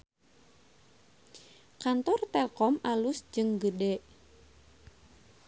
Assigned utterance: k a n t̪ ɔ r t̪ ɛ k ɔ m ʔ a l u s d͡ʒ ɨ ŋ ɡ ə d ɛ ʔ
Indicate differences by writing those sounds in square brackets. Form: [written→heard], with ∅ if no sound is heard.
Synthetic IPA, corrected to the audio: k a n t̪ ɔ r t̪ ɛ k ɔ m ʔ a l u s d͡ʒ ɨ ŋ ɡ ə d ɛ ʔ